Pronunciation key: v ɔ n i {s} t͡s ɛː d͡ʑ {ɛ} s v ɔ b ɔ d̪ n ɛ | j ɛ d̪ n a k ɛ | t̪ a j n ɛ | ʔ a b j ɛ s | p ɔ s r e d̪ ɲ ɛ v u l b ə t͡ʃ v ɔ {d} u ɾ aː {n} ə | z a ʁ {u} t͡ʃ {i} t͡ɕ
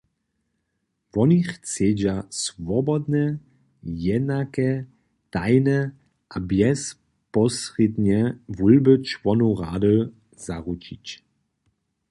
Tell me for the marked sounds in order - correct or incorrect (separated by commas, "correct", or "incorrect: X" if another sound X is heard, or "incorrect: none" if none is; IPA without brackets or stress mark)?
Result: incorrect: x, incorrect: a, incorrect: n, incorrect: d, correct, correct